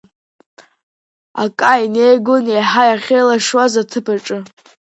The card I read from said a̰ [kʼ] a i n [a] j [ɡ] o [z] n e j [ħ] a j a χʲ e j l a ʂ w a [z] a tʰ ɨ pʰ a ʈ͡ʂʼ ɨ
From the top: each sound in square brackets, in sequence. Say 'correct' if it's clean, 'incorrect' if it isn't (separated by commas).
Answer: correct, incorrect, correct, incorrect, correct, correct